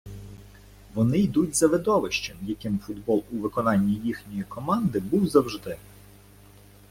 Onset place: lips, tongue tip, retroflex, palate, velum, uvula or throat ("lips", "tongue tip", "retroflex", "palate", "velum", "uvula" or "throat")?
lips